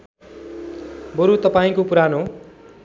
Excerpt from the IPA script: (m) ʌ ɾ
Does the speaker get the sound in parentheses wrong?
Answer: yes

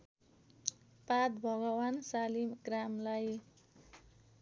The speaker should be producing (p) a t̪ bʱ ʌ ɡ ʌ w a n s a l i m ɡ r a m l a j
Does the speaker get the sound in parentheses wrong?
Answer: no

